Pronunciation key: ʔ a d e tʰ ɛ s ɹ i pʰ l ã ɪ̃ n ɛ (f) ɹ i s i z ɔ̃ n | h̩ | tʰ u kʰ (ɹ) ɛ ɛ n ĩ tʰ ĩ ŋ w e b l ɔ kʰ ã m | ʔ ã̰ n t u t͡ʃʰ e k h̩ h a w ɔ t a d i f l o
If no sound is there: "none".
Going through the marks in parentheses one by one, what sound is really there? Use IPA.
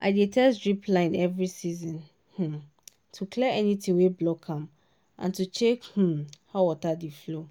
v, l

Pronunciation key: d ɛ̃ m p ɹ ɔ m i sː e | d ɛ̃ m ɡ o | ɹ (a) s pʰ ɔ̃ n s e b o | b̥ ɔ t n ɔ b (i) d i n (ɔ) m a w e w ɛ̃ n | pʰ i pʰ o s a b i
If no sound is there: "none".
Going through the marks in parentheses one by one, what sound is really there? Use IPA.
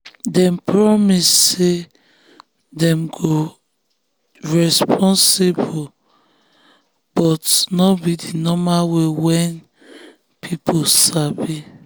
ɛ, i, ɔ

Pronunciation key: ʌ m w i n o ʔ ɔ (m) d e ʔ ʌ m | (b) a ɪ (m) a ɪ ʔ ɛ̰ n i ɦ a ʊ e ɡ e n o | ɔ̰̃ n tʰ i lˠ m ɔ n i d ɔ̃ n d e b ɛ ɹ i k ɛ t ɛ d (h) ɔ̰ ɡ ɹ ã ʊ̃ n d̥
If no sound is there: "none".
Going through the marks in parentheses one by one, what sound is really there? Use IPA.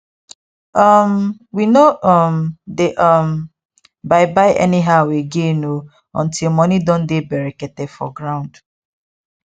m, b, b, f

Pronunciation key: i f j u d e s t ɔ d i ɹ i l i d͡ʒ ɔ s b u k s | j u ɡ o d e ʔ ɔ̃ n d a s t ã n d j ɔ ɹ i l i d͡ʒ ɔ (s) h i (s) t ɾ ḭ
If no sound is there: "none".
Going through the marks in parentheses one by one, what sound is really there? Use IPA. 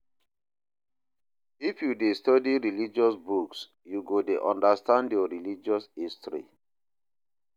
s, s

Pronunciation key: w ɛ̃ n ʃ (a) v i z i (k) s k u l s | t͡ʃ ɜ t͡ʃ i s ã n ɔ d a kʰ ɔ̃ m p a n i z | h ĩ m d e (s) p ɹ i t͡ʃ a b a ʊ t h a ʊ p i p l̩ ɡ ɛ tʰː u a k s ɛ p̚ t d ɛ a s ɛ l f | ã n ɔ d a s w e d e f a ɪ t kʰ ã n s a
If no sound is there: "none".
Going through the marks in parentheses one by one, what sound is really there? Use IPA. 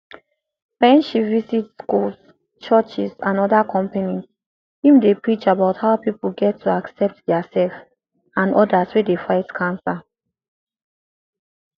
i, t, none

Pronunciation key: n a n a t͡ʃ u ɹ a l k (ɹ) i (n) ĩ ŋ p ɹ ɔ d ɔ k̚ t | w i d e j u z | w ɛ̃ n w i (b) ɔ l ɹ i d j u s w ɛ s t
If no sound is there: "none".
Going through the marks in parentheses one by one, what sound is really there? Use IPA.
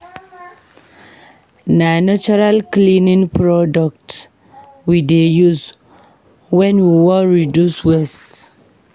l, n, w

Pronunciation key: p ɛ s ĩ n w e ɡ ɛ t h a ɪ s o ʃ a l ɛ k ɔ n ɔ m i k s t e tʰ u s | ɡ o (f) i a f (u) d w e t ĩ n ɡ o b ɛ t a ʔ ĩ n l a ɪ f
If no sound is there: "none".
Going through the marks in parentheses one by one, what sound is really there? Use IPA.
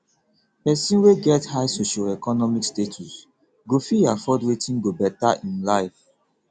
f, ɔ

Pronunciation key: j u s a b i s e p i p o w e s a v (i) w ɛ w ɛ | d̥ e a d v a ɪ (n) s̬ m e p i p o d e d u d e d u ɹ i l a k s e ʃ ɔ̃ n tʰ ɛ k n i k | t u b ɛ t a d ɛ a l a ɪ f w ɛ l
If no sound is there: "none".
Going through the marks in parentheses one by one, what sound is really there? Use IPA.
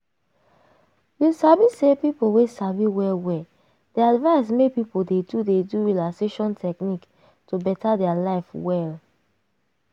i, none

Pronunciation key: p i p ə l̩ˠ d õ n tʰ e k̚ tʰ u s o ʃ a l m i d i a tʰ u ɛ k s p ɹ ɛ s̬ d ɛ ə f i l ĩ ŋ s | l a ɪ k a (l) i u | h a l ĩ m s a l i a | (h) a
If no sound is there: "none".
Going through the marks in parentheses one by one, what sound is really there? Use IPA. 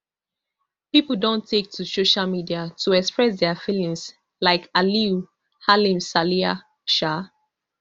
l, ʃ

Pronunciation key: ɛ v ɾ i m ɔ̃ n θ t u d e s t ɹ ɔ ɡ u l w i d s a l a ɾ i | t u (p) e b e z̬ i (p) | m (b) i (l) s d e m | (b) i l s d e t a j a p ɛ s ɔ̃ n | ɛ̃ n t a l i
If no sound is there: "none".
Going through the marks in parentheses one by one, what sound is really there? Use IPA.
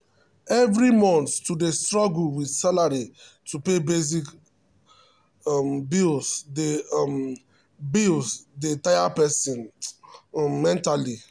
p, k, b, l, b

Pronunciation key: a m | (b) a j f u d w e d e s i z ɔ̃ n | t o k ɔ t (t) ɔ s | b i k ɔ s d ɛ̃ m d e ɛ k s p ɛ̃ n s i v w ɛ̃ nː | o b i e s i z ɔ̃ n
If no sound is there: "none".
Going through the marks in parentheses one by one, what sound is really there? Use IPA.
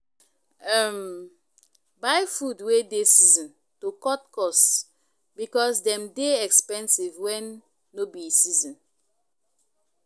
b, k

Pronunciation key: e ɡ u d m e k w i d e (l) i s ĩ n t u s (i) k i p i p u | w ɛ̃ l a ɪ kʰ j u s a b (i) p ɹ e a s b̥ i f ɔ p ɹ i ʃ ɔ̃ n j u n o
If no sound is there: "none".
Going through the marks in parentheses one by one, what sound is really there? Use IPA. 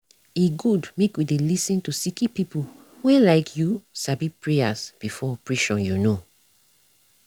l, i, i

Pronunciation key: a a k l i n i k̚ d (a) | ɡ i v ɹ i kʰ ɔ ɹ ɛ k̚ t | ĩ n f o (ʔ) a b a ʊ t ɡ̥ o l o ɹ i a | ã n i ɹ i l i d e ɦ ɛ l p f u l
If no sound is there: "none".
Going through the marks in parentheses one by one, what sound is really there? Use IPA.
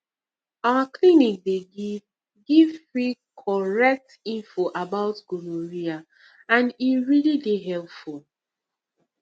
e, ʔ

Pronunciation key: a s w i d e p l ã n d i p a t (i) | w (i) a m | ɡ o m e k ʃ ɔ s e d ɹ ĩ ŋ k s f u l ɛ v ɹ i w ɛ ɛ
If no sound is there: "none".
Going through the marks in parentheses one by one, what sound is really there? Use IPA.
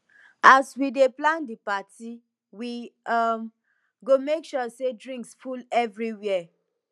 i, i

